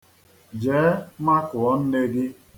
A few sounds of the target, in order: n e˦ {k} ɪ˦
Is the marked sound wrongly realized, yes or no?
yes